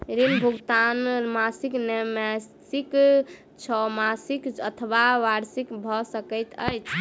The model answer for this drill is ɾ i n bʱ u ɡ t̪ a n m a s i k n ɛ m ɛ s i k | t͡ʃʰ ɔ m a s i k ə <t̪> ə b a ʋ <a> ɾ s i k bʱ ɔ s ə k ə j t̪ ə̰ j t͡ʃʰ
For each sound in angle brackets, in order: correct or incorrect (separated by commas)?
incorrect, correct